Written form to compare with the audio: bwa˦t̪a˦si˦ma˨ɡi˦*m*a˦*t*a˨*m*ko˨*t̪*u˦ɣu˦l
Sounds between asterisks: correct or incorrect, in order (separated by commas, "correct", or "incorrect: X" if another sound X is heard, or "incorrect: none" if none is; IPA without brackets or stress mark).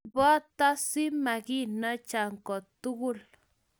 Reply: incorrect: n, incorrect: t͡ʃ, incorrect: ŋ, correct